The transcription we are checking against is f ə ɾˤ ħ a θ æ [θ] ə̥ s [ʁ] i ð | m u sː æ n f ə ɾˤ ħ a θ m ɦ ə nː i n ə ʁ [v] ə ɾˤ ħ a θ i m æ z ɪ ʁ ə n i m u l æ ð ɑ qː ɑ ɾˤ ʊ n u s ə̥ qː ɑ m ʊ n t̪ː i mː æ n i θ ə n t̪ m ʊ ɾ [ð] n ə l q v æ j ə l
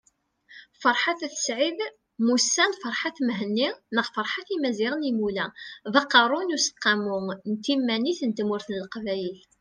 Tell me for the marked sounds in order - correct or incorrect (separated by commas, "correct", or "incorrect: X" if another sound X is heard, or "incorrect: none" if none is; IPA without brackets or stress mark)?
correct, incorrect: ʕ, incorrect: f, incorrect: θ